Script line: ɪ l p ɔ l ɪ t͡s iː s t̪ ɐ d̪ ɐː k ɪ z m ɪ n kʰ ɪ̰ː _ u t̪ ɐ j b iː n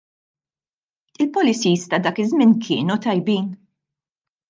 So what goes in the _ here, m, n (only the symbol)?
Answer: n